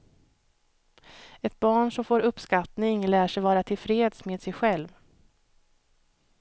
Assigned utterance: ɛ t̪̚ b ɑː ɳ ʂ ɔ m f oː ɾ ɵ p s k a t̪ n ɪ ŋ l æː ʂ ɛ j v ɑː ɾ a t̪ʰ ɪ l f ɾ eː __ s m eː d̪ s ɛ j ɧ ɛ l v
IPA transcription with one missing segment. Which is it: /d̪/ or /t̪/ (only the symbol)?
d̪